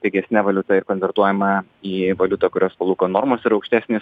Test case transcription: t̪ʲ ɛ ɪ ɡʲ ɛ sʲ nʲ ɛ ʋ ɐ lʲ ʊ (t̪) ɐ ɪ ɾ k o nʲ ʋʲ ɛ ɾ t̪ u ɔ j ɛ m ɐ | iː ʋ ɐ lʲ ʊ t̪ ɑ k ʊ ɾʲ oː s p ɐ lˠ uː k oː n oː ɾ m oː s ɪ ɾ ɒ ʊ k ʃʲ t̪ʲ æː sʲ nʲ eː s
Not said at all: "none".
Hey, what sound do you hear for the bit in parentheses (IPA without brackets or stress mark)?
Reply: t̪